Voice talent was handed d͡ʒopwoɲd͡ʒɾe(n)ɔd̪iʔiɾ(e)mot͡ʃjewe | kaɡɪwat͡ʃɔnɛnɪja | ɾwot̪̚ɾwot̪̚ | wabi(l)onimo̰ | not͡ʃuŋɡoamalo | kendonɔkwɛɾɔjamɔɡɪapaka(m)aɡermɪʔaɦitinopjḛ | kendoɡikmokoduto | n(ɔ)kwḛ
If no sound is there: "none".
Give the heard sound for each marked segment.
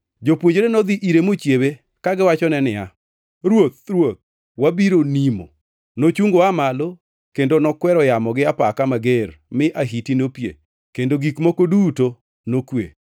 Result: n, e, ɾ, m, o

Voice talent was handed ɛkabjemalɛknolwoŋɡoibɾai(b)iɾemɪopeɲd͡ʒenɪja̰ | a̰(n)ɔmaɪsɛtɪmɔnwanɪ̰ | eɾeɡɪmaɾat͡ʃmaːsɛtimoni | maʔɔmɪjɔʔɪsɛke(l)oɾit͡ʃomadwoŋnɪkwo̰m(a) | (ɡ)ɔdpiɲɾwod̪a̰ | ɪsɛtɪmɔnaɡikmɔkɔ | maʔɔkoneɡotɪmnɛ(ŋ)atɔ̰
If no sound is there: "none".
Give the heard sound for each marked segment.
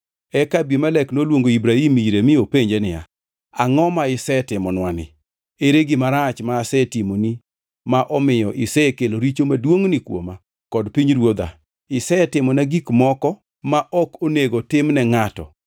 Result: m, ŋ, l, a, k, ŋ

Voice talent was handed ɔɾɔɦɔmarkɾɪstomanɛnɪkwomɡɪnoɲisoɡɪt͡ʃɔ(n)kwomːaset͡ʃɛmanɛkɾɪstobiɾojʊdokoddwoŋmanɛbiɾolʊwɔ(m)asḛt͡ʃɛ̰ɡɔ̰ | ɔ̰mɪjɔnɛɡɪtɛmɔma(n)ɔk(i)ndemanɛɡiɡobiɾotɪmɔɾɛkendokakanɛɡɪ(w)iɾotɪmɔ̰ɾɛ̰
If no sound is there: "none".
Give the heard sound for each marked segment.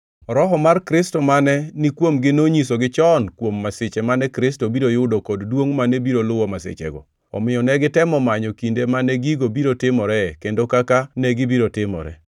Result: n, m, ɲ, i, b

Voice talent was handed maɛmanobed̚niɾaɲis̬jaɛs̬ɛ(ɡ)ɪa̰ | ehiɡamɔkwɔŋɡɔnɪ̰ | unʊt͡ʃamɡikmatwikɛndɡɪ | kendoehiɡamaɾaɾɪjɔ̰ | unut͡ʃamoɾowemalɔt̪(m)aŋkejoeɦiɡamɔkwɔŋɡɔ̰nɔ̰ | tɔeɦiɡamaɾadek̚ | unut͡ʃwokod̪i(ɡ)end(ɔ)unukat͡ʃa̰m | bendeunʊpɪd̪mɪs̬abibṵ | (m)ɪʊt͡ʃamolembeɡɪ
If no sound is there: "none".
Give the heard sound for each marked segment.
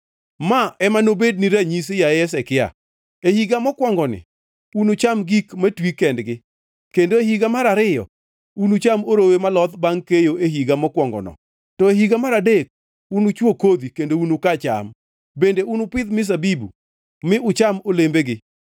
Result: k, b, k, o, m

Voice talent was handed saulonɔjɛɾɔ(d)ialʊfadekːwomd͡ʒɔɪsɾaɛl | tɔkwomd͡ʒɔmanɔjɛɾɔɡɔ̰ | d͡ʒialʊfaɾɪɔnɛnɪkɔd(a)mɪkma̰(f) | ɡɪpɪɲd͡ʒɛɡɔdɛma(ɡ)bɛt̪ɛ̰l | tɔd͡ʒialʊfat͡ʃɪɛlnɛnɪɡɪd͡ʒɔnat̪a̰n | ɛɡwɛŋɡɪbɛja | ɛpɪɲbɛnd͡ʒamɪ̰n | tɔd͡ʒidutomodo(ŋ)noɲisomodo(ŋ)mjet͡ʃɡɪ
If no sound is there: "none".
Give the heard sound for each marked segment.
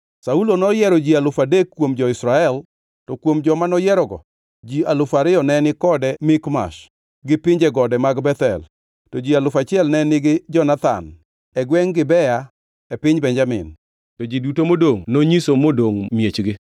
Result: d͡ʒ, ɛ, ʃ, ɡ, ŋ, ŋ

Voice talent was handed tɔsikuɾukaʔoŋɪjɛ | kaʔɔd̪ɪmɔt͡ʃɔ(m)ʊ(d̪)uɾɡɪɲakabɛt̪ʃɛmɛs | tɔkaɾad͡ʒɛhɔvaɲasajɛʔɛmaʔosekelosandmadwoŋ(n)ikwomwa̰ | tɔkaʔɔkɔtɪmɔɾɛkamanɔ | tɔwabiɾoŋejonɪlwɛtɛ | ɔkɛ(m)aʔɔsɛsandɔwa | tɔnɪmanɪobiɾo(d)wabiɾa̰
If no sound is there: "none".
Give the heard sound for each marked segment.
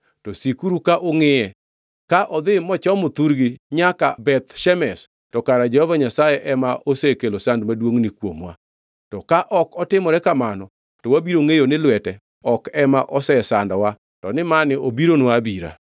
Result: m, t̪, n, m, n

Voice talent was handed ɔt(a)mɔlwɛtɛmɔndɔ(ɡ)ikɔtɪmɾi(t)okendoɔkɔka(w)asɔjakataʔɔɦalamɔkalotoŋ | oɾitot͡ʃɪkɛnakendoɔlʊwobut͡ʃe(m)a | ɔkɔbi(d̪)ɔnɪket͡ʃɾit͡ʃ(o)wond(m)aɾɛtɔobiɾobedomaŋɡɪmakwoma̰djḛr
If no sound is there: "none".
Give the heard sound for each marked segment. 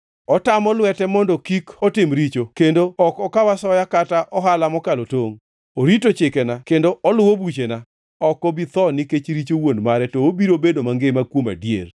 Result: a, k, t͡ʃ, w, n, t̪, o, m

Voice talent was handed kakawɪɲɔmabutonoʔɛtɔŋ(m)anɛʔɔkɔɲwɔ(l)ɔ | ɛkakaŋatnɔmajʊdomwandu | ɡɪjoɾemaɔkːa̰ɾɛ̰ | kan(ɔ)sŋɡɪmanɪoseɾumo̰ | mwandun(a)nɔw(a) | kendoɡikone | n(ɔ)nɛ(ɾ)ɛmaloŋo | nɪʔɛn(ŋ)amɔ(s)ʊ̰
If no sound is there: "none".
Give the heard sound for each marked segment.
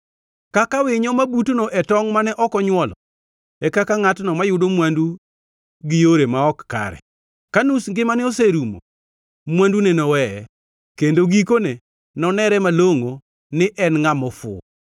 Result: m, l, u, e, ɛ, ɔ, ɾ, ŋ, f

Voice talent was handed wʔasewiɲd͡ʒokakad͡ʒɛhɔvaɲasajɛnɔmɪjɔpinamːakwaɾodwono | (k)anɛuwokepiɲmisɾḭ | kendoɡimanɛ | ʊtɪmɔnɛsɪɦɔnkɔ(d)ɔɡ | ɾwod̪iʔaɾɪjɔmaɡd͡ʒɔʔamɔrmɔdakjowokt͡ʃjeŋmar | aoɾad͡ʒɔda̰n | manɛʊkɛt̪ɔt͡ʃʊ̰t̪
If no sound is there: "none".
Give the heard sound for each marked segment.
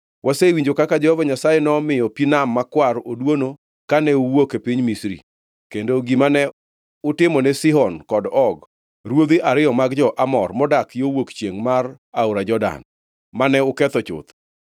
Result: k, d

